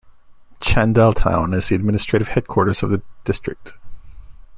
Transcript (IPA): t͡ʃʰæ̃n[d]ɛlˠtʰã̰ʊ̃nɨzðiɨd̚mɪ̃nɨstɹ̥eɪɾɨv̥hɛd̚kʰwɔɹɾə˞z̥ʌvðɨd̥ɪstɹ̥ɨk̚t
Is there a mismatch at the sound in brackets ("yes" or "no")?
no